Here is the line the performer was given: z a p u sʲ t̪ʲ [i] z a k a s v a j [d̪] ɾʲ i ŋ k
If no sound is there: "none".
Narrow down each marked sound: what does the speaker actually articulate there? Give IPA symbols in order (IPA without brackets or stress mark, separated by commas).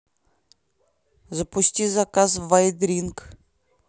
i, d̪